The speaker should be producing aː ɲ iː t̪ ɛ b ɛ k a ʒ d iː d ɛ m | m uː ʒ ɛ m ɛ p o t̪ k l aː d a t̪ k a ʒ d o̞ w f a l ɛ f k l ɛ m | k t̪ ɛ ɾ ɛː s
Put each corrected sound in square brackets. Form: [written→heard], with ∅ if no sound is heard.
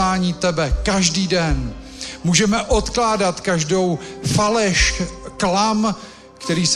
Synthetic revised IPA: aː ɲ iː t̪ ɛ b ɛ k a ʒ d iː d ɛ [m→n] | m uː ʒ ɛ m ɛ [p→ʔ] o t̪ k l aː d a t̪ k a ʒ d o̞ w f a l ɛ [f→ʃ] k l [ɛ→a] m | k t̪ ɛ ɾ [ɛː→iː] s